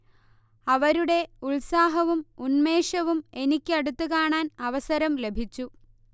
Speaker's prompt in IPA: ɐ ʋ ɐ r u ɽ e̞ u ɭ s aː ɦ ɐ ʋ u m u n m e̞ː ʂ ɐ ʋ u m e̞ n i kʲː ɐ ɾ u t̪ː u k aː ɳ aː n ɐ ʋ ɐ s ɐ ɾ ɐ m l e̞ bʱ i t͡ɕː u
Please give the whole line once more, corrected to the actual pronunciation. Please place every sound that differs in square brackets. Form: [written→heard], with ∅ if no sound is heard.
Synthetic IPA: ɐ ʋ ɐ [r→ɾ] u ɽ e̞ u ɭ s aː ɦ ɐ ʋ u m u n m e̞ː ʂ ɐ ʋ u m e̞ n i kʲː ɐ [ɾ→ɽ] u t̪ː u k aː ɳ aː n ɐ ʋ ɐ s ɐ ɾ ɐ m l e̞ bʱ i t͡ɕː u

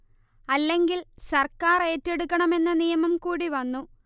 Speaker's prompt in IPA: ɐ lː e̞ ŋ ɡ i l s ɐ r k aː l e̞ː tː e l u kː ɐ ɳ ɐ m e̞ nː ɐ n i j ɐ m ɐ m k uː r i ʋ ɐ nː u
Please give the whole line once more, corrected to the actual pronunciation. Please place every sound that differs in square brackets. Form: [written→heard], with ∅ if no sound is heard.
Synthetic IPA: ɐ lː e̞ ŋ ɡ i l s ɐ r k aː [l→r] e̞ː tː e [l→ɽ] u kː ɐ ɳ ɐ m e̞ nː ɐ n i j ɐ m ɐ m k uː [r→ɽ] i ʋ ɐ nː u

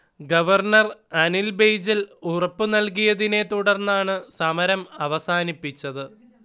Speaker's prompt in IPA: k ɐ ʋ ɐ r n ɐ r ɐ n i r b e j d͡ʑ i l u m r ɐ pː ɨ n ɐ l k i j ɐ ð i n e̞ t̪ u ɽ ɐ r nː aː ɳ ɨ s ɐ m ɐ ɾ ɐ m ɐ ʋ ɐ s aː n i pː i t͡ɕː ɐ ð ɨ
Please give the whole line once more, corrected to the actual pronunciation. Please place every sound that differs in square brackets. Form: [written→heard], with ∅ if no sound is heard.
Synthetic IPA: [k→ɡ] ɐ ʋ ɐ r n ɐ r ɐ n i [r→l] b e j d͡ʑ i l u [m→∅] r ɐ pː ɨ n ɐ l k i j ɐ ð i n e̞ t̪ u ɽ ɐ r nː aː ɳ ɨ s ɐ m ɐ ɾ ɐ m ɐ ʋ ɐ s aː n i pː i t͡ɕː ɐ ð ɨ

